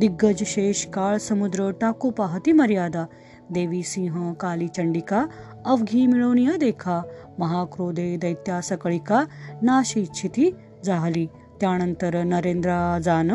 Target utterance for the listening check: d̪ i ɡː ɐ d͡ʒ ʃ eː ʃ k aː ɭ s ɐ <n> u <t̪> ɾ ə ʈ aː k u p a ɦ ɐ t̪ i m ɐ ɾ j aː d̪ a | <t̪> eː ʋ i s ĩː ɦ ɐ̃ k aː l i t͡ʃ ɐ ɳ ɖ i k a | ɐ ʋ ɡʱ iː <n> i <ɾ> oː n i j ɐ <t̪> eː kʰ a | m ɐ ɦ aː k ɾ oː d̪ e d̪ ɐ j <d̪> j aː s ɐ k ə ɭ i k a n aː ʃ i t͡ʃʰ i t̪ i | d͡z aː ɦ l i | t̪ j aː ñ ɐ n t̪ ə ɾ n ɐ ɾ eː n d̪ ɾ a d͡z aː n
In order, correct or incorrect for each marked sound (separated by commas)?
incorrect, incorrect, incorrect, incorrect, incorrect, incorrect, incorrect